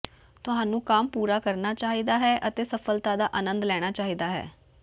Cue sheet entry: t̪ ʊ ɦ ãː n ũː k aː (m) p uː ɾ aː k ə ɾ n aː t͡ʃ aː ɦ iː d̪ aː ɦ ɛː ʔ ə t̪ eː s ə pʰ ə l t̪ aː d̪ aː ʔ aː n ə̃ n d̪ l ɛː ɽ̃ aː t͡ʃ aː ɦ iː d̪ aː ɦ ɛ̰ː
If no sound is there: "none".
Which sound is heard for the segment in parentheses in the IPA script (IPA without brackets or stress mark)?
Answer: m